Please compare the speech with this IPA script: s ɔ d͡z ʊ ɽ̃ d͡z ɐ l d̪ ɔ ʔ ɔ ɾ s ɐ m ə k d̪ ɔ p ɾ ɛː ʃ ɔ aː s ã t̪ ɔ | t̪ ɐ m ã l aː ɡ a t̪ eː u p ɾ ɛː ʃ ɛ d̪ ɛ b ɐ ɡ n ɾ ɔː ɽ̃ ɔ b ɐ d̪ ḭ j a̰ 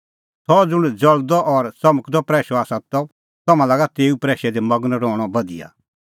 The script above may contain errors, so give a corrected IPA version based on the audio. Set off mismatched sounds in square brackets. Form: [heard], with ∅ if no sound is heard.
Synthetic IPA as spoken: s ɔ d͡z ʊ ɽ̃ d͡z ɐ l d̪ ɔ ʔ ɔ ɾ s ɐ m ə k d̪ ɔ p ɾ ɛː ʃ ɔ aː s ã t̪ ɔ | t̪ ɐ m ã l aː ɡ a t̪ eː u p ɾ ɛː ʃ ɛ d̪ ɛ [m] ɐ ɡ n ɾ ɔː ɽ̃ ɔ b ɐ d̪ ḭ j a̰